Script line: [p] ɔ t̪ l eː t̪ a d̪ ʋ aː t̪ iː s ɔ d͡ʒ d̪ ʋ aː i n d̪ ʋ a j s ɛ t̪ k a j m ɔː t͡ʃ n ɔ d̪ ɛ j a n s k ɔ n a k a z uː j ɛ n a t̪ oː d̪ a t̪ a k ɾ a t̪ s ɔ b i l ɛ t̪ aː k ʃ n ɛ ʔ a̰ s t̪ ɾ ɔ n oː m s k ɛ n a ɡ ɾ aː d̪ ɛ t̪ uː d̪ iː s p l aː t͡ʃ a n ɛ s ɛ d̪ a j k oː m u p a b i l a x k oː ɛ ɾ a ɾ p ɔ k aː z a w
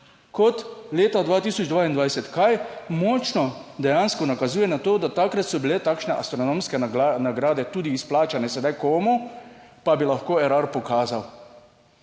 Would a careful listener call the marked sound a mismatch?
yes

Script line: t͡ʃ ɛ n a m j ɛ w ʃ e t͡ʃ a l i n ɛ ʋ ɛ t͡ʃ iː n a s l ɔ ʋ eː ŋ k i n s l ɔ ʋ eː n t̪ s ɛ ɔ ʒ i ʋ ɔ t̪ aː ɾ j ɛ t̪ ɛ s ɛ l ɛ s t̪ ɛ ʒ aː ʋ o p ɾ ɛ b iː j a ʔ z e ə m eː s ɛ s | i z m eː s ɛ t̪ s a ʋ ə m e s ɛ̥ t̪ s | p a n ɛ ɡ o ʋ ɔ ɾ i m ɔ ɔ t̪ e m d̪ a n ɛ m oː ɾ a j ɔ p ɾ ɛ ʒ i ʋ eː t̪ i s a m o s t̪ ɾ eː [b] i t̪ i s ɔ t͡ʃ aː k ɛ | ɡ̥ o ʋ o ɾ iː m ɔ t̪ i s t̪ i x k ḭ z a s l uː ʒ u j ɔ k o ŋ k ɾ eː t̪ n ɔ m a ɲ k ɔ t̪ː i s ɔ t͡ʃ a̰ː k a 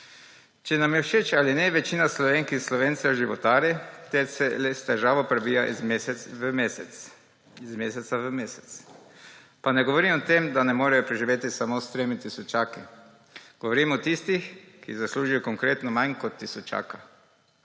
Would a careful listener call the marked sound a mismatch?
yes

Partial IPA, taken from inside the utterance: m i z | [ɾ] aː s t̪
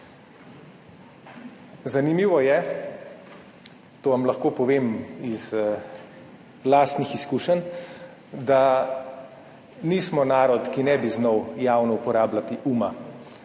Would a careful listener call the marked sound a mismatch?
yes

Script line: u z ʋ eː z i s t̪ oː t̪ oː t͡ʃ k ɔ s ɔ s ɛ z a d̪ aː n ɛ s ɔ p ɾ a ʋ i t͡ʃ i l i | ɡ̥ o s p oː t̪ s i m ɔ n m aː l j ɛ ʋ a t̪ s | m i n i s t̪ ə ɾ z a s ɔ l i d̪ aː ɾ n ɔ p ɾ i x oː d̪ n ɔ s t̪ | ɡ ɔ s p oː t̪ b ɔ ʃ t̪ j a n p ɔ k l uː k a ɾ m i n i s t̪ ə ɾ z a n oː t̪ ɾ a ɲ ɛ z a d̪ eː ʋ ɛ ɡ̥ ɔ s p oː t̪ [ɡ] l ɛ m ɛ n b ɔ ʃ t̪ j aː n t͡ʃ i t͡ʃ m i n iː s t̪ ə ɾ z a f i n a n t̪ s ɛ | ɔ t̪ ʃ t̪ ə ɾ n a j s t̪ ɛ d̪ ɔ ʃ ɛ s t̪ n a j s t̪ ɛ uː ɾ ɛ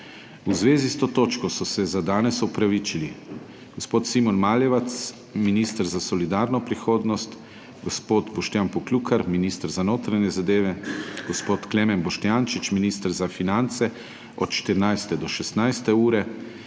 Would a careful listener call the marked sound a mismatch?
yes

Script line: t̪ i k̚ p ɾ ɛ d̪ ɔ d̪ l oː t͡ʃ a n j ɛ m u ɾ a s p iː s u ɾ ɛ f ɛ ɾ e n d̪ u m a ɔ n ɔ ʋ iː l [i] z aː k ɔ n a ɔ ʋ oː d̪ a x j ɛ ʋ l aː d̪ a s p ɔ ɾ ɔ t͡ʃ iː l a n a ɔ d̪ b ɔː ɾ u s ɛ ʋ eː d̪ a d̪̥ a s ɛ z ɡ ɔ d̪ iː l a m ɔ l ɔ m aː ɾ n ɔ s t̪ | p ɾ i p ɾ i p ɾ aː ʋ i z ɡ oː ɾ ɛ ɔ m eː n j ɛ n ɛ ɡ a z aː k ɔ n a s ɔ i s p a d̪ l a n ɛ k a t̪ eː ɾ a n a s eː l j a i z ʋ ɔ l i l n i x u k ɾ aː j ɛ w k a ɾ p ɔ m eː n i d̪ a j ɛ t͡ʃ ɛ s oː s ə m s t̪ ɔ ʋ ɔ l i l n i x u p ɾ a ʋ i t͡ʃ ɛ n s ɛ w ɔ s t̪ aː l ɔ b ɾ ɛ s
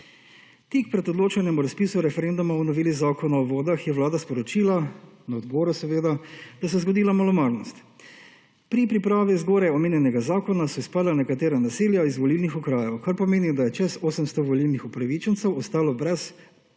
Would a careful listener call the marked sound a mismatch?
no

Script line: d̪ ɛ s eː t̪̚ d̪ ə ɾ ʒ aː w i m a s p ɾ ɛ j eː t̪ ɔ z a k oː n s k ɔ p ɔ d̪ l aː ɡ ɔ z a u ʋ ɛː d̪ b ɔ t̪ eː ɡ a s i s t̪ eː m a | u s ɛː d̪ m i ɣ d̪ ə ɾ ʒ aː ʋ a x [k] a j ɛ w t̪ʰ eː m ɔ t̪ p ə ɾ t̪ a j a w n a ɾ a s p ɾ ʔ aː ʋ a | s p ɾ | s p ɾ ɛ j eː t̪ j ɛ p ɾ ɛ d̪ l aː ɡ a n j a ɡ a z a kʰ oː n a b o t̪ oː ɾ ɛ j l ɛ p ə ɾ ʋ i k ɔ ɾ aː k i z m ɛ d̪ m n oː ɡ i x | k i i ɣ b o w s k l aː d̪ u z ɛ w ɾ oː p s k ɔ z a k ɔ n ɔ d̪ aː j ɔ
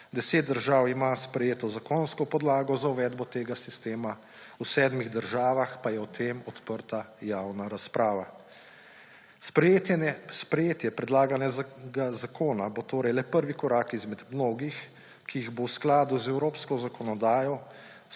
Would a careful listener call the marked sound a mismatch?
yes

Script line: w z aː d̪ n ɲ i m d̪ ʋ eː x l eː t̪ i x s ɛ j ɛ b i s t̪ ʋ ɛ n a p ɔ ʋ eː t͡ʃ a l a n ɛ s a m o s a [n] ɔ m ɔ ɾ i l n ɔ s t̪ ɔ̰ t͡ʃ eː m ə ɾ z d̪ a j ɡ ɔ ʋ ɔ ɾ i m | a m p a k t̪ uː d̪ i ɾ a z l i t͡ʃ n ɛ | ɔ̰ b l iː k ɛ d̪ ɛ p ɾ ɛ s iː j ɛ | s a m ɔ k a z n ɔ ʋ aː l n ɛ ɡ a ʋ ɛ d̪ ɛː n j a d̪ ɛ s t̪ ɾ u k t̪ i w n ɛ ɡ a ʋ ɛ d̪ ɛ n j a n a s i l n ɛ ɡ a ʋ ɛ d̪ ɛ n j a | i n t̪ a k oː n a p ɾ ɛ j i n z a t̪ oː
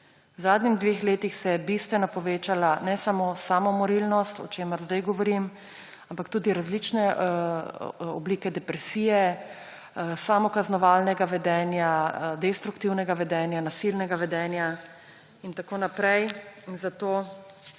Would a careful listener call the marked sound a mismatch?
yes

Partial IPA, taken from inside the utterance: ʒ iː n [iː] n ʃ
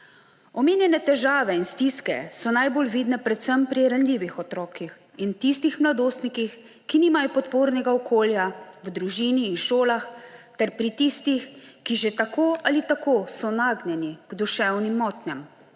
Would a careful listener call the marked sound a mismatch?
no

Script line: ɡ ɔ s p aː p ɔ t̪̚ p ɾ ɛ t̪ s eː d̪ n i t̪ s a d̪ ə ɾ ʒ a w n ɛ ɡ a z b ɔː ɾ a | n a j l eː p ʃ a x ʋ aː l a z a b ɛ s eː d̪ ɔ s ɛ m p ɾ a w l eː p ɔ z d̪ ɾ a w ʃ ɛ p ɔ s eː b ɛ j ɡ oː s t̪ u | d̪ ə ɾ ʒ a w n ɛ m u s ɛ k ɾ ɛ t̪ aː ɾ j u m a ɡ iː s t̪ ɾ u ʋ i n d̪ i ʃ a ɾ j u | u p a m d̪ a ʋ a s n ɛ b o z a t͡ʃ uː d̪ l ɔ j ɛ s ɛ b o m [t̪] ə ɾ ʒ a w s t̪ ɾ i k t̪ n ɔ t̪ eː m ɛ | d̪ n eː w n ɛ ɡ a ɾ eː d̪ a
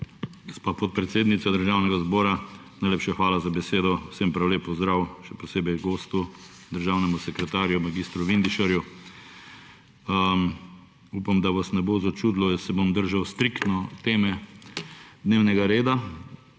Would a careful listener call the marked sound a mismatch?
yes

